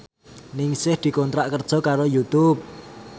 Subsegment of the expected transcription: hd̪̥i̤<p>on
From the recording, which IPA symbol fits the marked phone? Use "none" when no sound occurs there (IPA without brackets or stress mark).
k